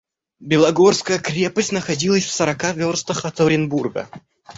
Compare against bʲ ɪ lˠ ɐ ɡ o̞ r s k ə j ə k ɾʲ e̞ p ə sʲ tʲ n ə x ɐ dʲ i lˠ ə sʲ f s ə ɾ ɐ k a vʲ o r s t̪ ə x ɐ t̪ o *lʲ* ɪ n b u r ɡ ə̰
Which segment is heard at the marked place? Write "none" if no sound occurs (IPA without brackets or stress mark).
ɾʲ